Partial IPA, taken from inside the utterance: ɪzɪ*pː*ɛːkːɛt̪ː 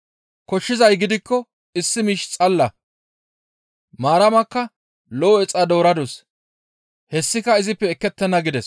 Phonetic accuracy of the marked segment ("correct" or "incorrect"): correct